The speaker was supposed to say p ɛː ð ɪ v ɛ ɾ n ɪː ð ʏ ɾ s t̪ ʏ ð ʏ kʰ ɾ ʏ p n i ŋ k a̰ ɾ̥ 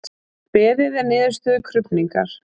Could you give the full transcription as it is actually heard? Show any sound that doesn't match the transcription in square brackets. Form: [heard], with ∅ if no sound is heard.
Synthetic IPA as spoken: p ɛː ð ɪ [ð] ɛ ɾ n ɪː ð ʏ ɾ s t̪ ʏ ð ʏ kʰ ɾ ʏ p n i ŋ k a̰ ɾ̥